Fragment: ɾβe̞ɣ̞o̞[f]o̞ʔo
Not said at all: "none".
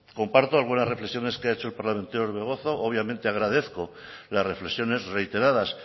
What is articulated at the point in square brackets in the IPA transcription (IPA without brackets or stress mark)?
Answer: θ